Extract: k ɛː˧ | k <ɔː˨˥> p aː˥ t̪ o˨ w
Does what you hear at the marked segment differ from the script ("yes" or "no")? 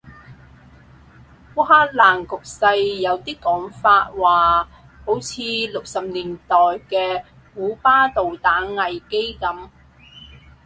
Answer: yes